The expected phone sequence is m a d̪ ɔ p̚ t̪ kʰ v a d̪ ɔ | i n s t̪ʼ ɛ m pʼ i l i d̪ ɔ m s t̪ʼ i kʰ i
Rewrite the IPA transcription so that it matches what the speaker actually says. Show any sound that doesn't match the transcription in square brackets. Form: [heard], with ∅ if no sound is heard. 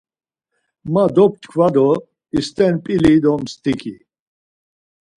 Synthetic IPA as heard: m a d̪ ɔ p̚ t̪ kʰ v a d̪ ɔ | i [∅] s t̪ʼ ɛ [n] pʼ i l i d̪ ɔ m s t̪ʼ i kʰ i